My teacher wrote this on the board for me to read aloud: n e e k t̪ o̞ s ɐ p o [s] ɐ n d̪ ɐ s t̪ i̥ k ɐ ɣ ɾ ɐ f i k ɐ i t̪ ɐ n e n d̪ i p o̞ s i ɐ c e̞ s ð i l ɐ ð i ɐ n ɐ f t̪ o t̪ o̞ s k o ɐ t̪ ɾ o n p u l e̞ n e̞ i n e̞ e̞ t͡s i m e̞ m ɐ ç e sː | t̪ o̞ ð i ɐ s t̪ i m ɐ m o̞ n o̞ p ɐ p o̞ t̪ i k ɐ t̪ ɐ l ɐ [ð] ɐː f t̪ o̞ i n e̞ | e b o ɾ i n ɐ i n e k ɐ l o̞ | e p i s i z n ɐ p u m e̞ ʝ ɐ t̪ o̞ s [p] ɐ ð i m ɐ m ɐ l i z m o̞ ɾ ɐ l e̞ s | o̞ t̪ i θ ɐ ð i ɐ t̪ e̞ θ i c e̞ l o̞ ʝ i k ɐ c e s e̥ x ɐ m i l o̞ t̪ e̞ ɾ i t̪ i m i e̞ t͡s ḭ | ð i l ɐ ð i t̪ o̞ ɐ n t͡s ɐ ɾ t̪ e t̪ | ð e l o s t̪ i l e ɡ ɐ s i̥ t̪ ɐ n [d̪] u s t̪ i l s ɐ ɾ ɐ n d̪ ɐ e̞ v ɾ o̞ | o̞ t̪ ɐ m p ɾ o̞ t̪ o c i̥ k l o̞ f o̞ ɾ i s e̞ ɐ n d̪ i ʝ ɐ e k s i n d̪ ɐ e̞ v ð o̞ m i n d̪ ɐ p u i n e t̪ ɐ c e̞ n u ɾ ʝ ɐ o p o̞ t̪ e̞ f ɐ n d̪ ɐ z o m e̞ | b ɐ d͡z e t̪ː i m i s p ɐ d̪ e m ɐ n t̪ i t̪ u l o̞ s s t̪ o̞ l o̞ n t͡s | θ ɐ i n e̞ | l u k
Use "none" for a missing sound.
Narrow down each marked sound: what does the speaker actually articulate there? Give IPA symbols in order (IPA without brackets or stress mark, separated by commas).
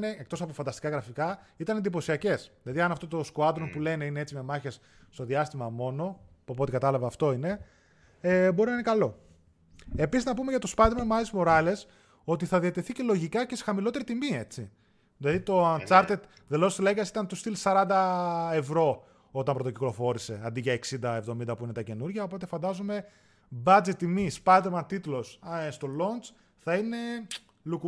f, v, p, t̪